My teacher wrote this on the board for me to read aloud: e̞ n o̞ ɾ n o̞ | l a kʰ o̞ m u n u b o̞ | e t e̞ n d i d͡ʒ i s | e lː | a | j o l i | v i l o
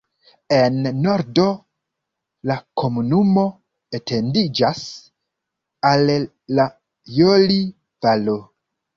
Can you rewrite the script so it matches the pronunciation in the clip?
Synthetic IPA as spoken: e̞ nː o̞ ɾ d o̞ | l a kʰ o̞ m u n u m o̞ | e t e̞ n d i d͡ʒ a s | a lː | a | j o l i | v a l o